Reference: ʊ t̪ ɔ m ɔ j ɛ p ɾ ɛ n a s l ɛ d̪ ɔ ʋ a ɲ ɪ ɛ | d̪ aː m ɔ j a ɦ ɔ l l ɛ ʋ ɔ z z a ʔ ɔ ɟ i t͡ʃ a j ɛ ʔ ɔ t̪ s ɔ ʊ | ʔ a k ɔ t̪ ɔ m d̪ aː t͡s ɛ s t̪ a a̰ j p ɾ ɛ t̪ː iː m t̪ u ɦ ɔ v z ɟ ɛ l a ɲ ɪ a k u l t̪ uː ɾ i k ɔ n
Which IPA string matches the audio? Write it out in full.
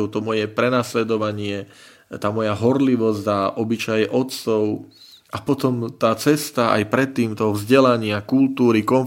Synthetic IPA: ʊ t̪ ɔ m ɔ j ɛ p ɾ ɛ n a s l ɛ d̪ ɔ ʋ a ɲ ɪ ɛ | t̪ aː m ɔ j a ɦ ɔ ɾ l i ʋ ɔ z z a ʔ ɔ b i t͡ʃ a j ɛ ʔ ɔ t̪ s ɔ ʊ | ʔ a p ɔ t̪ ɔ m t̪ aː t͡s ɛ s t̪ a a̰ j p ɾ ɛ t̪ː iː m t̪ ɔ ɦ ɔ v z ɟ ɛ l a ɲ ɪ a k u l t̪ uː ɾ i k ɔ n